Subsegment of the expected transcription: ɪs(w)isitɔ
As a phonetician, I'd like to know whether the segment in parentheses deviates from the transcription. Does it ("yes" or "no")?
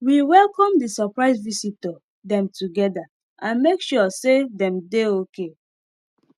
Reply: yes